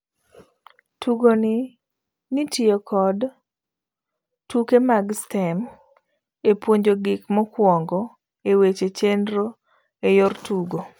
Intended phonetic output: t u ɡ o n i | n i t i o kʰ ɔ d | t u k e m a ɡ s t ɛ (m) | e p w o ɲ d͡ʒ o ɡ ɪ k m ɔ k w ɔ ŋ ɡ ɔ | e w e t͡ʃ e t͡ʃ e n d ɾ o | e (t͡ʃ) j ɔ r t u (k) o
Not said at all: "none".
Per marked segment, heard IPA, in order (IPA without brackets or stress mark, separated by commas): m, none, ɡ